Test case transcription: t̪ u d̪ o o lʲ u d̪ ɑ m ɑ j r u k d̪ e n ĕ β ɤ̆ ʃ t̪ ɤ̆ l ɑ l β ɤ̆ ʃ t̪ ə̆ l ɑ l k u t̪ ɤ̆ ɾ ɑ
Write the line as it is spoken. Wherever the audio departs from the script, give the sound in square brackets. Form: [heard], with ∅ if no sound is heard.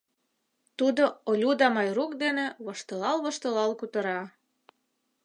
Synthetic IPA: t̪ u d̪ o o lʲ u d̪ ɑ m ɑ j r u k d̪ e n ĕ β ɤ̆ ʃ t̪ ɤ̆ l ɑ l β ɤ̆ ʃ t̪ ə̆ l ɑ l k u t̪ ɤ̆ ɾ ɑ